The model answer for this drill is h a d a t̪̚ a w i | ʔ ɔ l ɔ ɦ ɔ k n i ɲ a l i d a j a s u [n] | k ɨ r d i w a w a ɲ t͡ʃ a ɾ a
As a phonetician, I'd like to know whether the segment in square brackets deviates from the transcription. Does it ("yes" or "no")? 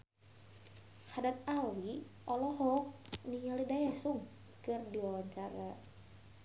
yes